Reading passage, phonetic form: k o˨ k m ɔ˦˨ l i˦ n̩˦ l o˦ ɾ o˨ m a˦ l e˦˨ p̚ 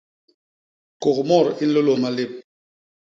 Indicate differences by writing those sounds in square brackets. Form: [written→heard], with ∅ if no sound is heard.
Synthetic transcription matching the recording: k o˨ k m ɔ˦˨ [l→ɾ] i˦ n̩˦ l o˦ [ɾ→l] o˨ m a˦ l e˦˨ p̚